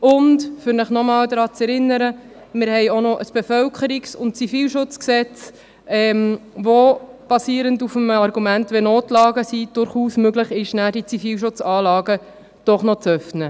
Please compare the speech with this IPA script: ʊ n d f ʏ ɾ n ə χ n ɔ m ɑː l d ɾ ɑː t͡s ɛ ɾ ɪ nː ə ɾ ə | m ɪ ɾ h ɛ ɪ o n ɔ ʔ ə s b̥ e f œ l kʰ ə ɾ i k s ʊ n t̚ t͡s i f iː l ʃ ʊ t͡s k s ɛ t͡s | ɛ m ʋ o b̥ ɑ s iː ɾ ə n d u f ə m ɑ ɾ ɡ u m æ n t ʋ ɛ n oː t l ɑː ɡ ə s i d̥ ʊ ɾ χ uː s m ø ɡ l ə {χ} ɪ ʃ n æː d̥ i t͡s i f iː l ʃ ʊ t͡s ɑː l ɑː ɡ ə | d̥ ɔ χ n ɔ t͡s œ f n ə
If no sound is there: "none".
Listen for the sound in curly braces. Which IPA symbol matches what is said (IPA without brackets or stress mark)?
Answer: χ